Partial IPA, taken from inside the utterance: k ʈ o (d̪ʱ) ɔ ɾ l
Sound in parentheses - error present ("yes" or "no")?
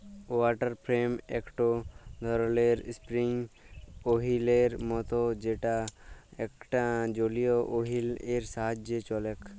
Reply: no